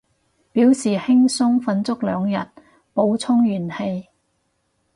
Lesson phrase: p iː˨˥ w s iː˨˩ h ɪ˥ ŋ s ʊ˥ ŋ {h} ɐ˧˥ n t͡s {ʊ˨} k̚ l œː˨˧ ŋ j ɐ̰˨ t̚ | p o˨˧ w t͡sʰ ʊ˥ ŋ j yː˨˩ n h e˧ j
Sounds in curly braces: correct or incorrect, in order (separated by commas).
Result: incorrect, incorrect